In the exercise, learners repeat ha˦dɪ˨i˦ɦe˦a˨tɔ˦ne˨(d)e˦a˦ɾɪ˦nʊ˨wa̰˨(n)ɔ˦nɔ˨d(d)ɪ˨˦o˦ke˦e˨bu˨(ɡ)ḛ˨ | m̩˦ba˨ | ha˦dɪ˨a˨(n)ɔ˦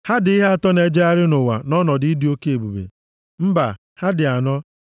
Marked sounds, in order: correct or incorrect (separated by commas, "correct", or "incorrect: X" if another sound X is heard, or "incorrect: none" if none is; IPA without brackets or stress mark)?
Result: incorrect: d͡ʒ, correct, correct, incorrect: b, correct